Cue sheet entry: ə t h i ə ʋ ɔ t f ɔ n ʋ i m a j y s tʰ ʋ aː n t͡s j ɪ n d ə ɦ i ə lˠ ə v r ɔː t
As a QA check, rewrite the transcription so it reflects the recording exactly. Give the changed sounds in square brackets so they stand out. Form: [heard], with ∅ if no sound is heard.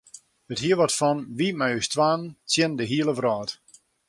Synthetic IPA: ə t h i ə ʋ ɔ t f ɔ n ʋ i m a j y s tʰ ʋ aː n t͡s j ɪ n d ə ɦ i ə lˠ ə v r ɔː t